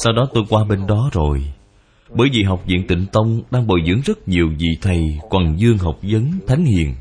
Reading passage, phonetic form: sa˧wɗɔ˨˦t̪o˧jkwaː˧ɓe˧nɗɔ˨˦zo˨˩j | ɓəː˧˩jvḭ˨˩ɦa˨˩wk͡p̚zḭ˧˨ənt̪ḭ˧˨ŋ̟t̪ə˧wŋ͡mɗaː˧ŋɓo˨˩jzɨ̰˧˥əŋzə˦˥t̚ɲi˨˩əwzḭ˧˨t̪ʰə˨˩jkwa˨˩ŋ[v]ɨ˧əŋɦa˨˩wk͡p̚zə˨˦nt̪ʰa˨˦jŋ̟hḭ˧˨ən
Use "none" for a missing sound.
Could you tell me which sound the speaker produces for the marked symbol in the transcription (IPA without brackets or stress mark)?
z